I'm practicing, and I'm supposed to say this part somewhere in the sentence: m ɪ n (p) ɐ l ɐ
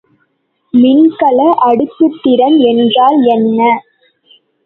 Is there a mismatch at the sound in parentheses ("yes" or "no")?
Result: yes